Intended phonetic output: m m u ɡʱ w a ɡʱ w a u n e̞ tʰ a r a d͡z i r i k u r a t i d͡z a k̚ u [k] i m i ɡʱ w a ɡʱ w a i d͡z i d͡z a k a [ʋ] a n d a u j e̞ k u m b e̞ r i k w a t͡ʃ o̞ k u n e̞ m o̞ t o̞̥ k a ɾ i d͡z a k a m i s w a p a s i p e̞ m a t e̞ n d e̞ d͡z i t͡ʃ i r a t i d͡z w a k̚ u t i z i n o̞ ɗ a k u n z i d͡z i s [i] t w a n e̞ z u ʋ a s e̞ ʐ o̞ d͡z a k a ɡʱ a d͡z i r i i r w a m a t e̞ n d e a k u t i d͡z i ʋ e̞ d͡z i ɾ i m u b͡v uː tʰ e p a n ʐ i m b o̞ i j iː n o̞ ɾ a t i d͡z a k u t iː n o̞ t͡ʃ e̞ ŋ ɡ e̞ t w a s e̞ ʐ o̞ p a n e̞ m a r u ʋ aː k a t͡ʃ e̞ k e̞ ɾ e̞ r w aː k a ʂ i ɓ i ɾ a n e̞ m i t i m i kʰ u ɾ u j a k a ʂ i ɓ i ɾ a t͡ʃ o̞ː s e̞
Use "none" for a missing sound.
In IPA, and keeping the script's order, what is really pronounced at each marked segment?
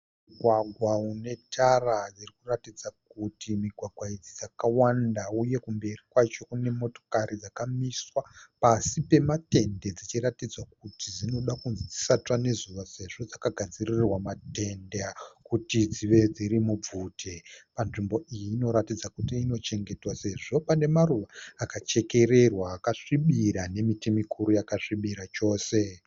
t, w, a

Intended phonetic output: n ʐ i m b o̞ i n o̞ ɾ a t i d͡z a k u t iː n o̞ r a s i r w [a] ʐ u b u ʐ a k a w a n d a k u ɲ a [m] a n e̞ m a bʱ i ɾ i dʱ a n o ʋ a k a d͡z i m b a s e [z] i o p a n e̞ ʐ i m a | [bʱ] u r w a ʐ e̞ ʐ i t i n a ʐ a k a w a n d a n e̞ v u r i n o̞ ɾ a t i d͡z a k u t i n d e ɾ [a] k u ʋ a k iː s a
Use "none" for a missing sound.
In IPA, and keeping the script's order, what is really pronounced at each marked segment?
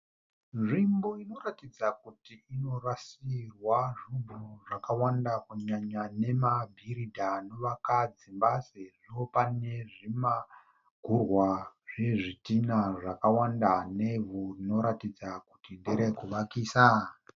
a, ɲ, ʐ, ɡʱ, e

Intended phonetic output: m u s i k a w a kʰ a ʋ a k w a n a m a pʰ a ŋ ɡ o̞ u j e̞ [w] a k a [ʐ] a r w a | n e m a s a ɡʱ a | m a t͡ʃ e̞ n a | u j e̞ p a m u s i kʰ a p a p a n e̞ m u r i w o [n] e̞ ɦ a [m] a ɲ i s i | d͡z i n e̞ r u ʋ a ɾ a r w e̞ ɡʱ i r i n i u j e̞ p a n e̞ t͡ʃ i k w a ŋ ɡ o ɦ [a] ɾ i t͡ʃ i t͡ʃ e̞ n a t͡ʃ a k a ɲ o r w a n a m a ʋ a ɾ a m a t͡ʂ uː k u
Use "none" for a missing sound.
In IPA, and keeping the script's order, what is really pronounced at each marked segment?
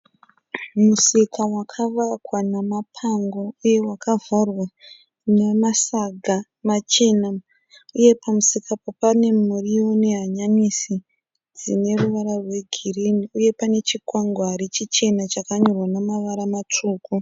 w, v, n, ɲ, a

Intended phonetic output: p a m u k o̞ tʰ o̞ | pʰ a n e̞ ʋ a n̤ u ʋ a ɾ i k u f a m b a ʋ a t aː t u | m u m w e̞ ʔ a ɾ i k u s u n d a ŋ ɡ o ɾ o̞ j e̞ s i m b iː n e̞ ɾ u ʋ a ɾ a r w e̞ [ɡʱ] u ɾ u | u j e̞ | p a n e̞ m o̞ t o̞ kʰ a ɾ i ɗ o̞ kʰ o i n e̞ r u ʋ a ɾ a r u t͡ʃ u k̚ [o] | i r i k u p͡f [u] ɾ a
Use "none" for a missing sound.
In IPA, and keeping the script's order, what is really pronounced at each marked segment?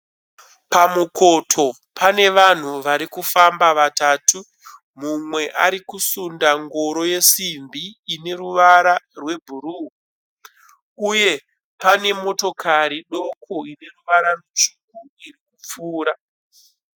bʱ, u, uː

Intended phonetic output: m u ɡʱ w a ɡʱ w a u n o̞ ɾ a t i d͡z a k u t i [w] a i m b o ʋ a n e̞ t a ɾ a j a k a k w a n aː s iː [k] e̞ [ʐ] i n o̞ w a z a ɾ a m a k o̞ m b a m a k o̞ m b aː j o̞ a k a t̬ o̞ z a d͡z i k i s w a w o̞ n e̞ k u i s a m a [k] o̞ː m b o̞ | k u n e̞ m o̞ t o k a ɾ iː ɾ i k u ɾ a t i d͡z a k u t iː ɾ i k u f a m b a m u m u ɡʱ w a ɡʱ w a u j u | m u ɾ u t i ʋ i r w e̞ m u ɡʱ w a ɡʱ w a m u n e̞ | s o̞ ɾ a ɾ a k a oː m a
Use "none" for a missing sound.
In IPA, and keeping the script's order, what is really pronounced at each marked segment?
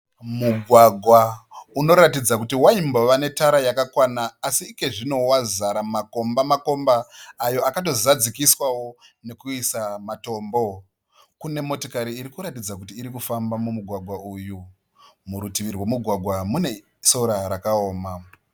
w, k, ʐ, t

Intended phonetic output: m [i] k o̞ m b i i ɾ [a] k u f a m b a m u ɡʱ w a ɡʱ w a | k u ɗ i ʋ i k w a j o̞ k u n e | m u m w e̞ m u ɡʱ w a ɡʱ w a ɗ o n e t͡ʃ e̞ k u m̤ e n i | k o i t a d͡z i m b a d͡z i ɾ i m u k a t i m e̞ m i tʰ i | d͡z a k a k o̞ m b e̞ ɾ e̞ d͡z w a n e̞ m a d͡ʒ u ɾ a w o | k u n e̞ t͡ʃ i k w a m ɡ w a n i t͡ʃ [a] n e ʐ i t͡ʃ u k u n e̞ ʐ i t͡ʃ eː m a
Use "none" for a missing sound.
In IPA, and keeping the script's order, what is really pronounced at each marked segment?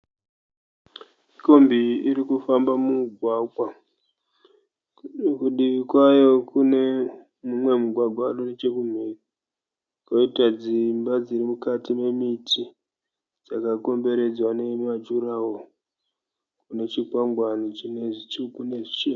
i, i, i

